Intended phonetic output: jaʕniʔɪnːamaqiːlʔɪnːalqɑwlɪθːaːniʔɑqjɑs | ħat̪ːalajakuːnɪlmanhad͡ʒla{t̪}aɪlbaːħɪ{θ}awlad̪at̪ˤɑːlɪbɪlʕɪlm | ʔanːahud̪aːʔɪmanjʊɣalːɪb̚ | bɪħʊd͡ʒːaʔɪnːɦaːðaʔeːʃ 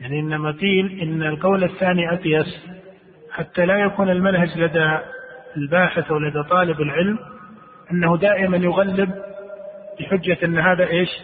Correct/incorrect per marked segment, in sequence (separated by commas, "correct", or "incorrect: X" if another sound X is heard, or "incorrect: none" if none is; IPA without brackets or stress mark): incorrect: d̪, correct